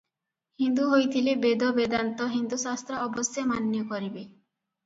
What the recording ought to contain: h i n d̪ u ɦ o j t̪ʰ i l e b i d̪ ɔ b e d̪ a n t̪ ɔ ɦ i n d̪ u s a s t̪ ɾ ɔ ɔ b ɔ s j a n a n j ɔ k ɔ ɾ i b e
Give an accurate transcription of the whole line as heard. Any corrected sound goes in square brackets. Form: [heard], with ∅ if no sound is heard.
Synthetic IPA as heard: h i n d̪ u ɦ o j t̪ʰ i l e b [e] d̪ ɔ b e d̪ a n t̪ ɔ ɦ i n d̪ u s a s t̪ ɾ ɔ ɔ b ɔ s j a [m] a n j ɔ k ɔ ɾ i b e

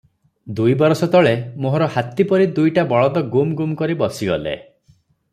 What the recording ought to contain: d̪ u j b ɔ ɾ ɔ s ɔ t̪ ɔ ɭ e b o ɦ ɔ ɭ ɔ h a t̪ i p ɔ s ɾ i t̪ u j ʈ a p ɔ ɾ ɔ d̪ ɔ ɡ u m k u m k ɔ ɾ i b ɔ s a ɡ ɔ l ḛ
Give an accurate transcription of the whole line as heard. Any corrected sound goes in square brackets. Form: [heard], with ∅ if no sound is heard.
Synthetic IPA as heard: d̪ u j b ɔ ɾ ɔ s ɔ t̪ ɔ ɭ e [m] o ɦ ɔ [ɾ] ɔ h a t̪ i p ɔ [∅] ɾ i [d̪] u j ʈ a [b] ɔ [ɭ] ɔ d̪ ɔ ɡ u m [ɡ] u m k ɔ ɾ i b ɔ s [i] ɡ ɔ l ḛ

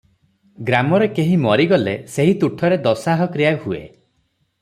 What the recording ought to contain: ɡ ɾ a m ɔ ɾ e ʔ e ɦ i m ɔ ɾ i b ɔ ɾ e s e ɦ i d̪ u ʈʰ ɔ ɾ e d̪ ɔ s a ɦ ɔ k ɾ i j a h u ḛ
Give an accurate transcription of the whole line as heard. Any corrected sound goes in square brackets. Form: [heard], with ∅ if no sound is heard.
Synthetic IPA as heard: ɡ ɾ a m ɔ ɾ e [k] e ɦ i m ɔ ɾ i [ɡ] ɔ [l] e s e ɦ i [t̪] u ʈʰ ɔ ɾ e d̪ ɔ s a ɦ ɔ k ɾ i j a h u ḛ

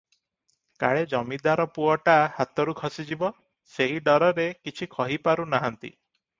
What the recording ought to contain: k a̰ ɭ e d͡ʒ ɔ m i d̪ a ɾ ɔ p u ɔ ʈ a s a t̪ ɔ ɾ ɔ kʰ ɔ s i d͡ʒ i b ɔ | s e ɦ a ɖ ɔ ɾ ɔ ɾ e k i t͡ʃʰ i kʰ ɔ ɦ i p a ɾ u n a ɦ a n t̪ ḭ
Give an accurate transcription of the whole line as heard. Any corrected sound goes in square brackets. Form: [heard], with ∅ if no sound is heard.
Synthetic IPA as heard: k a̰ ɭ e d͡ʒ ɔ m i d̪ a ɾ ɔ p u ɔ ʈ a [h] a t̪ ɔ ɾ [u] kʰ ɔ s i d͡ʒ i b ɔ | s e ɦ [i] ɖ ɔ ɾ ɔ ɾ e k i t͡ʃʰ i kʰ ɔ ɦ i p a ɾ u n a ɦ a n t̪ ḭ

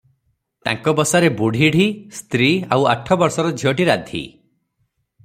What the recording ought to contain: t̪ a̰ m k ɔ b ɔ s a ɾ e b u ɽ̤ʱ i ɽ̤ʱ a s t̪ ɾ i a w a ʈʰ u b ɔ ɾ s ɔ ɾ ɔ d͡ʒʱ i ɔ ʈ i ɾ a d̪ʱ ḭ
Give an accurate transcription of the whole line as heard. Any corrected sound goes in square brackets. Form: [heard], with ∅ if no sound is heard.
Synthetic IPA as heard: t̪ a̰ [ŋ] k ɔ b ɔ s a ɾ e b u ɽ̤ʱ i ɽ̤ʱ [i] s t̪ ɾ i a w a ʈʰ [ɔ] b ɔ ɾ s ɔ ɾ ɔ d͡ʒʱ i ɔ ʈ i ɾ a d̪ʱ ḭ

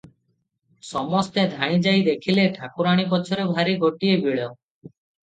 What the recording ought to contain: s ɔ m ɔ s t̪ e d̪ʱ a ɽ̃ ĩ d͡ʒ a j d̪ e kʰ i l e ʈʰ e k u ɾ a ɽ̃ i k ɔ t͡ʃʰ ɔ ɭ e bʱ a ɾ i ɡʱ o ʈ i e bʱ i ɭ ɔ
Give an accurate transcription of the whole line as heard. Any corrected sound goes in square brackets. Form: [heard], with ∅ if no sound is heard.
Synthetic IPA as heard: s ɔ m ɔ s t̪ e d̪ʱ a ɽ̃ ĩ d͡ʒ a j d̪ e kʰ i l e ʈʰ [a] k u ɾ a ɽ̃ i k ɔ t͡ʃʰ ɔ [ɾ] e bʱ a ɾ i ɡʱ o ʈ i e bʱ i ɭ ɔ

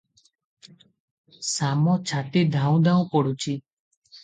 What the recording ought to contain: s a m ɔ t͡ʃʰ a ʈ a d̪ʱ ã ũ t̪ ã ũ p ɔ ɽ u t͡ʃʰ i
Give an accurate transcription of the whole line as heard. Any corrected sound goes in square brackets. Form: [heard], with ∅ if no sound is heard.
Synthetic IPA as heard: s a m ɔ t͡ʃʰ a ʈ [i] d̪ʱ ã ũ [d̪] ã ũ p ɔ ɽ u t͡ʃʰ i

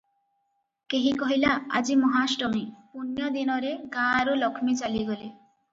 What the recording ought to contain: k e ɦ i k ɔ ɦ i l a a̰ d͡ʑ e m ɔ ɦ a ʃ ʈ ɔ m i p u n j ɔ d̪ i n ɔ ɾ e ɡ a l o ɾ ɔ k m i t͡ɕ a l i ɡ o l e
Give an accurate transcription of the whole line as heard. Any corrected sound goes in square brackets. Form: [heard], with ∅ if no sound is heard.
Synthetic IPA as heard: k e ɦ i k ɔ ɦ i l a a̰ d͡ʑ [i] m ɔ ɦ a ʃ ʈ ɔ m i p u n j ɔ d̪ i n ɔ ɾ e ɡ a [ɾ] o [l] ɔ [kʰ] m i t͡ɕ a l i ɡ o l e

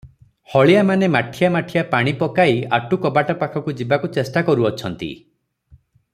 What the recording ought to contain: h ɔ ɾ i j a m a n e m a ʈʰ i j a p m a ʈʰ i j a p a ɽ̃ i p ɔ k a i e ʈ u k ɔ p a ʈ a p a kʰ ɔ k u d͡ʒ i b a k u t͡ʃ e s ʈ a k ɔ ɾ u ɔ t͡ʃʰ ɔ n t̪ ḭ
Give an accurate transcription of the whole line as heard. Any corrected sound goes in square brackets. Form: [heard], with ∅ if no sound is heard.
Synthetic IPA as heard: h ɔ [ɭ] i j a m a n e m a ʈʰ i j a [∅] m a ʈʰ i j a p a ɽ̃ i p ɔ k a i [a] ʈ u k ɔ [b] a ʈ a p a kʰ ɔ k u d͡ʒ i b a k u t͡ʃ e s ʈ a k ɔ ɾ u ɔ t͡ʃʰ ɔ n t̪ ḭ

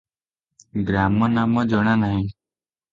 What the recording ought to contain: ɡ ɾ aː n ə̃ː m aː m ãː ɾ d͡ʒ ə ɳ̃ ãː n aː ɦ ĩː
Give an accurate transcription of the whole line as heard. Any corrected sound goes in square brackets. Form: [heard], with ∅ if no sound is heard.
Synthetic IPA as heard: ɡ ɾ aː [m] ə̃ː [n] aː m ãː [∅] d͡ʒ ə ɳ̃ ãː n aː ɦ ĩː

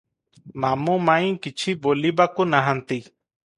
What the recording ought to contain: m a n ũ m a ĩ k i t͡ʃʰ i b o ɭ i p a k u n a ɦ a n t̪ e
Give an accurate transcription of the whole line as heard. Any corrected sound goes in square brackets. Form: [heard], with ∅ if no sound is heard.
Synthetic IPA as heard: m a [m] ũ m a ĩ k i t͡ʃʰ i b o [l] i [b] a k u n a ɦ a n t̪ [i]

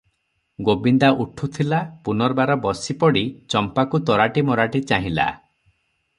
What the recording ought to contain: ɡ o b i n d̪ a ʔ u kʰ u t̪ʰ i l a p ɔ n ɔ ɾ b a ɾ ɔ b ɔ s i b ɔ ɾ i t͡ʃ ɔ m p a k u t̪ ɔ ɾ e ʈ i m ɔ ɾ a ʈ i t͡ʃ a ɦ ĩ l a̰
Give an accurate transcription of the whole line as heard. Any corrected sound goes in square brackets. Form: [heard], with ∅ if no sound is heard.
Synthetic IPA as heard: ɡ o b i n d̪ a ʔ u [ʈʰ] u t̪ʰ i l a p [u] n ɔ ɾ b a ɾ ɔ b ɔ s i [p] ɔ [ɽ] i t͡ʃ ɔ m p a k u t̪ ɔ ɾ [a] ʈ i m ɔ ɾ a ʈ i t͡ʃ a ɦ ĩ l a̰

